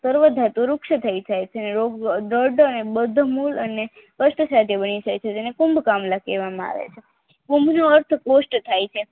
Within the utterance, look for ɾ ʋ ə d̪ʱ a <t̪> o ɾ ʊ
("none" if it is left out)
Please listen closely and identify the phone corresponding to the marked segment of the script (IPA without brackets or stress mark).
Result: t̪